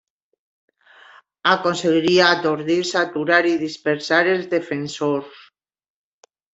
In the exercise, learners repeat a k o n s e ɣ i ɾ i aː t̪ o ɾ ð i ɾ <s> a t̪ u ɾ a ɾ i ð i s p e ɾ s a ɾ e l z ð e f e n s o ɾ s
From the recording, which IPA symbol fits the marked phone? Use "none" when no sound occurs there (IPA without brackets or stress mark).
s